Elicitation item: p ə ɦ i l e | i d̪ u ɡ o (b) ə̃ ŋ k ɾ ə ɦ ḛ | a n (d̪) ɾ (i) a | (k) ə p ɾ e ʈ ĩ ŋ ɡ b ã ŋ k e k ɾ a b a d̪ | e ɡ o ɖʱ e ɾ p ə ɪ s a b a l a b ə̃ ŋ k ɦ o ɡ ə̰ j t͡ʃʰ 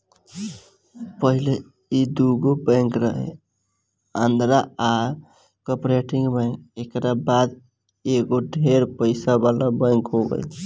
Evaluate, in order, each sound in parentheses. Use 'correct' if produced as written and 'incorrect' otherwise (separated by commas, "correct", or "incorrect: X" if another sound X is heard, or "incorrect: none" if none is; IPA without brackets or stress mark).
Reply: correct, correct, incorrect: a, correct